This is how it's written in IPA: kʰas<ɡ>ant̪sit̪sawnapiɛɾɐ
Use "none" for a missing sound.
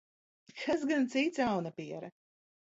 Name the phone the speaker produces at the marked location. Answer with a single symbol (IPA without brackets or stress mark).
ɡ